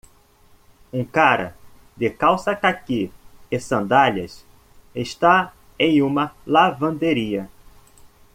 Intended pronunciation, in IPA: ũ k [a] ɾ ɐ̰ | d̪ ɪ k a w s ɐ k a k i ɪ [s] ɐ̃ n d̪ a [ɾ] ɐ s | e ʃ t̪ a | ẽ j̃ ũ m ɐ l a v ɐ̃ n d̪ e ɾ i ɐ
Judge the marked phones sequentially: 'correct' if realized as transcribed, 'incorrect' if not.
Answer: correct, correct, incorrect

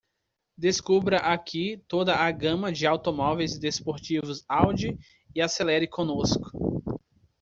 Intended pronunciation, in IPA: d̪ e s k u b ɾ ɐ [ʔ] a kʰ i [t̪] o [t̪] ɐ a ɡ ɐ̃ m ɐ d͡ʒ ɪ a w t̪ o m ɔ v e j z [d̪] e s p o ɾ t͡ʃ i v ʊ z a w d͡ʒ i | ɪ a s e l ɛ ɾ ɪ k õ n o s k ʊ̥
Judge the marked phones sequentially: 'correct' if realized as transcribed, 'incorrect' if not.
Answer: correct, correct, incorrect, correct

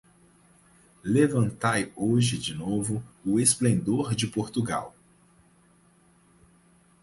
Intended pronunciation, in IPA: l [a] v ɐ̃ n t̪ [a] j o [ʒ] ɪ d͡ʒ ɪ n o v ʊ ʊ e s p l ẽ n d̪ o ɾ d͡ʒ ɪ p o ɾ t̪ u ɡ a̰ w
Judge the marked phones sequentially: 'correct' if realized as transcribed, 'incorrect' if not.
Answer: incorrect, correct, correct

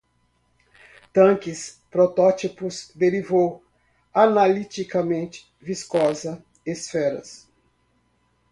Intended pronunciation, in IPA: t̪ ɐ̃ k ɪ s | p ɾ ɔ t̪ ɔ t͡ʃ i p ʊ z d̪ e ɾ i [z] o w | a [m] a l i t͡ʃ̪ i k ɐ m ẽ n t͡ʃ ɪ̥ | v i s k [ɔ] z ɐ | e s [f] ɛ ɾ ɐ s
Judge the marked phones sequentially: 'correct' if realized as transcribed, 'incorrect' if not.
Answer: incorrect, incorrect, correct, correct

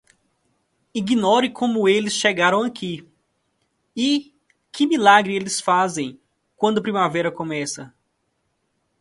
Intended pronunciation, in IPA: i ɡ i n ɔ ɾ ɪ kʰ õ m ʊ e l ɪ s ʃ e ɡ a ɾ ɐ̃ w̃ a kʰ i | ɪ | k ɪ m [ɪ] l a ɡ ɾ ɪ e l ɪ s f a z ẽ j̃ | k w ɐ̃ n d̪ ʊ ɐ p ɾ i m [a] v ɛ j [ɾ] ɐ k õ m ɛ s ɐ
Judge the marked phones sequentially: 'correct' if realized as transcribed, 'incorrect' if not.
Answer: incorrect, correct, correct

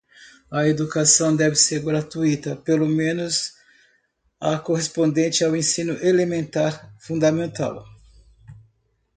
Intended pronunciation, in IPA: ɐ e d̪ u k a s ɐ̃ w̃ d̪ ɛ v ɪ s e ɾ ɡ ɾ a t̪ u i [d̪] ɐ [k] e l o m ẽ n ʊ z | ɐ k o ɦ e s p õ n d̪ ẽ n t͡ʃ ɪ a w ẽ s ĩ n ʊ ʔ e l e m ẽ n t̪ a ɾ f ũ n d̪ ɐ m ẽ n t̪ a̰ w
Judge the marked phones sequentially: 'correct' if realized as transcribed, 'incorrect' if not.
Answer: incorrect, incorrect

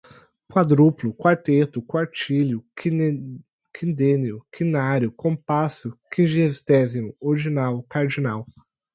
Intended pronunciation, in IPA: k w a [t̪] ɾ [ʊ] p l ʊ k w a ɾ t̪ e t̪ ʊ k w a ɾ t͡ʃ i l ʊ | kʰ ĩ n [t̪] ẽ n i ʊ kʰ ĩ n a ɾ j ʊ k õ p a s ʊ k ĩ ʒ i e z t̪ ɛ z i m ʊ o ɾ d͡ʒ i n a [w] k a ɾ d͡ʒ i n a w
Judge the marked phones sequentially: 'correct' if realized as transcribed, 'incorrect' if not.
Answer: incorrect, incorrect, incorrect, correct

